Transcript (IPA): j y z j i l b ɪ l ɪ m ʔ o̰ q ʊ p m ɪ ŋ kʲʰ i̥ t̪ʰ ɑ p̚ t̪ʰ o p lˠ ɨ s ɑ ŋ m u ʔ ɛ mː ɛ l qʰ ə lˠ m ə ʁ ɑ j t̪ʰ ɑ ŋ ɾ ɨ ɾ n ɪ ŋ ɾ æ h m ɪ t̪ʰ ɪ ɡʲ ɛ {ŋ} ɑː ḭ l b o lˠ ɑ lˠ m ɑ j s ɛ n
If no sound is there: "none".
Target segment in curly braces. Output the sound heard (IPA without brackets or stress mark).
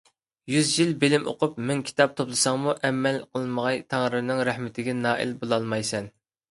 n